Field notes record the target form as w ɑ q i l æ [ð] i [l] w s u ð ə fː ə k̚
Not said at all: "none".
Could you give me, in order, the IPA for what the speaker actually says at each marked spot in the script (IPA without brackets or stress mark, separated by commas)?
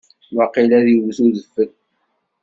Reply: ð, none